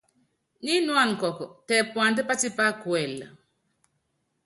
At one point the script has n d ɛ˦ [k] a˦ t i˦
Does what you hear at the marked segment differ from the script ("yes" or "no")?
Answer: yes